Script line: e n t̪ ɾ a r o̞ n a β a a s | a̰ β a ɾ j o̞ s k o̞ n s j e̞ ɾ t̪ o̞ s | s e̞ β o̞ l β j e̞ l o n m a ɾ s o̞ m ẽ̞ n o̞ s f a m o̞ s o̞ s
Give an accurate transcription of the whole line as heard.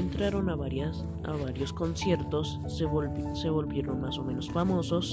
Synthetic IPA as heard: e n t̪ ɾ a ɾ o̞ n a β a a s | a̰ β a ɾ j o̞ s k o̞ n s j e̞ ɾ t̪ o̞ s | s e̞ β o̞ l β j e̞ ɾ o n m a s o̞ m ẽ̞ n o̞ s f a m o̞ s o̞ s